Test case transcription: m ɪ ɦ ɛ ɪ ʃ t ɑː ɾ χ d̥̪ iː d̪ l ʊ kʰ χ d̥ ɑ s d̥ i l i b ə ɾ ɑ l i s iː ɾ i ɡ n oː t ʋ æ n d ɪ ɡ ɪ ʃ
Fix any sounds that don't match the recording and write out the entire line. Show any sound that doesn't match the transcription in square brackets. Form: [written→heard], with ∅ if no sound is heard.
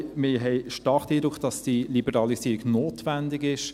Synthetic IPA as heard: m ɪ ɦ ɛ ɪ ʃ t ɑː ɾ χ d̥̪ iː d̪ [l→ɾ] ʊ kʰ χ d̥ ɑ s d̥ i l i b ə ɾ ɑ l i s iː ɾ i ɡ n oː t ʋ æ n d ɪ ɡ ɪ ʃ